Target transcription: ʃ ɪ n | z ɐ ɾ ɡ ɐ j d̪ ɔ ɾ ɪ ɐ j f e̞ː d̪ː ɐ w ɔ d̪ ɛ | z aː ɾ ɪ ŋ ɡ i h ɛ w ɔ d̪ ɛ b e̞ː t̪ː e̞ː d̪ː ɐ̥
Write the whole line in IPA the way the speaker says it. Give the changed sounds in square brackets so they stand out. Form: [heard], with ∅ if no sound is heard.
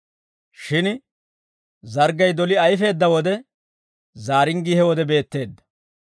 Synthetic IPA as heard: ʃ ɪ n | z ɐ ɾ ɡ ɐ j d̪ ɔ [l] ɪ ɐ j f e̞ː d̪ː ɐ w ɔ d̪ ɛ | z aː ɾ ɪ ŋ ɡ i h ɛ w ɔ d̪ ɛ b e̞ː t̪ː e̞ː d̪ː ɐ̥